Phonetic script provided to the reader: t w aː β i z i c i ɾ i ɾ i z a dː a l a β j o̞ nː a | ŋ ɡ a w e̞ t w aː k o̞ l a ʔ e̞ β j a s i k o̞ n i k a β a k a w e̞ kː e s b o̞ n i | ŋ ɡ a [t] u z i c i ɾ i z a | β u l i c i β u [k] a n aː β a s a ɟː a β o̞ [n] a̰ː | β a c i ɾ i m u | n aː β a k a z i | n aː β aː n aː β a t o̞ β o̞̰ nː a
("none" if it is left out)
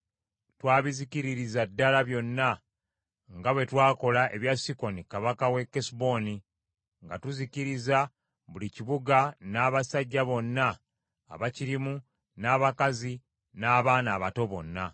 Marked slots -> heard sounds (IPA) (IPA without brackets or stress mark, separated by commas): t, ɡ, nː